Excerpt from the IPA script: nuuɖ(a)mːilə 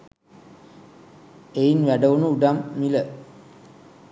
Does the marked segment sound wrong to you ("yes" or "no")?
no